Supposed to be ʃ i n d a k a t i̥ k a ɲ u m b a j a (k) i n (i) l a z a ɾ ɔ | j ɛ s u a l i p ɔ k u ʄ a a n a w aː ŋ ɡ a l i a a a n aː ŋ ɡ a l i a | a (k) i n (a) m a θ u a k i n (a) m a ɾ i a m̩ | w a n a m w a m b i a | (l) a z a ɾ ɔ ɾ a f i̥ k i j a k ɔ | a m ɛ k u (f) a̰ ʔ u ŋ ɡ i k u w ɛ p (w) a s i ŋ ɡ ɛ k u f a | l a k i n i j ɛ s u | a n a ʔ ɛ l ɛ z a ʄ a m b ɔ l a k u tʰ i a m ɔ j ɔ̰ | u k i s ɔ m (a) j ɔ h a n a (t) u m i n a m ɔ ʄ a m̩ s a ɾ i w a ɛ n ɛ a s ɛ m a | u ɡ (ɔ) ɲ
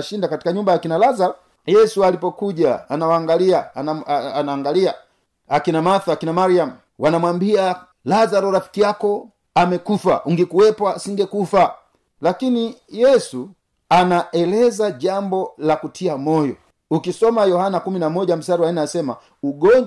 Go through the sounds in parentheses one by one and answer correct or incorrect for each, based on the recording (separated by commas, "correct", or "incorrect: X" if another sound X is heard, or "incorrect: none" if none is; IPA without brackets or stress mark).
correct, incorrect: a, correct, correct, correct, correct, correct, correct, correct, incorrect: k, correct